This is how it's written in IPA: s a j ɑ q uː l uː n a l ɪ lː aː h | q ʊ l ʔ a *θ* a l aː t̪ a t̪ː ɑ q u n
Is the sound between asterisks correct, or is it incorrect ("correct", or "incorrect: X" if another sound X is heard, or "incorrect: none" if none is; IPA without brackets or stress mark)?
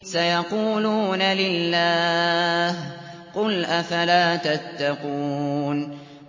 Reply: incorrect: f